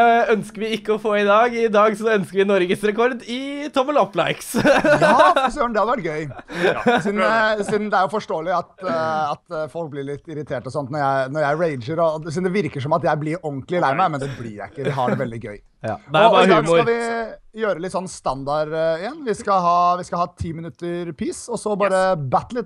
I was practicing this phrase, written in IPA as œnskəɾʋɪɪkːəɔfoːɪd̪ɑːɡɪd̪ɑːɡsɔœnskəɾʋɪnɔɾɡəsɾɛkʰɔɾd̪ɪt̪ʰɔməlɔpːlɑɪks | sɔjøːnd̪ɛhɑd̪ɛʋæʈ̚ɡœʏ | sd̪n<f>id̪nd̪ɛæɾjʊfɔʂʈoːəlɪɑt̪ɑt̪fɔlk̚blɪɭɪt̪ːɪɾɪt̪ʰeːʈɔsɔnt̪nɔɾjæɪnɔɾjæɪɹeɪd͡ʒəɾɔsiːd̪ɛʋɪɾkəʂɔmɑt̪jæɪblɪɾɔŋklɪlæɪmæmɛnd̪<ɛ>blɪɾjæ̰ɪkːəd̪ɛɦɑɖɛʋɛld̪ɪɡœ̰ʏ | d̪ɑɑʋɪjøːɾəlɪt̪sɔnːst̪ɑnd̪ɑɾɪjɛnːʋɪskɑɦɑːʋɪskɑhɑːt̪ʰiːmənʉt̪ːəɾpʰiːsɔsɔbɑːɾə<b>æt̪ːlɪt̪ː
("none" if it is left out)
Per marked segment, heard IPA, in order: s, ɛ, b

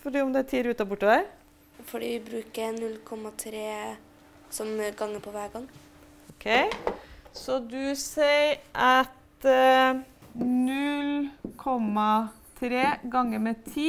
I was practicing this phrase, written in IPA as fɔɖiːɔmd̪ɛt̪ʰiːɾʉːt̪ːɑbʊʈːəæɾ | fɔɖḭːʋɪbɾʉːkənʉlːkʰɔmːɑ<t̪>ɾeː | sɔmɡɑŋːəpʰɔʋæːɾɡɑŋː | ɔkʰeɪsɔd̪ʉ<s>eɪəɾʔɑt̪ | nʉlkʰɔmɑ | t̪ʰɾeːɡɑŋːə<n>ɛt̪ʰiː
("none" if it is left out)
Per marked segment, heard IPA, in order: t̪ʰ, s, m

